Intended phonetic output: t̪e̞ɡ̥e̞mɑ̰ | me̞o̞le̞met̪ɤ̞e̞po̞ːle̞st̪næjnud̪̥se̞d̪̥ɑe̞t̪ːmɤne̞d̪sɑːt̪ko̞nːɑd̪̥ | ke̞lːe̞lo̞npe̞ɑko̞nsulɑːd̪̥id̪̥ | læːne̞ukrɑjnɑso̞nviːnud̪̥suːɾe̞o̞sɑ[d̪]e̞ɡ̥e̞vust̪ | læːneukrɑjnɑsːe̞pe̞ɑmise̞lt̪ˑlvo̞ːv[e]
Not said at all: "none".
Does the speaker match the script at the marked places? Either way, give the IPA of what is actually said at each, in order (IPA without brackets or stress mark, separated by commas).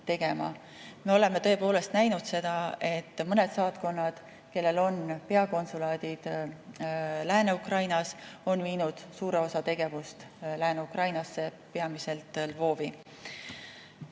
t̪, i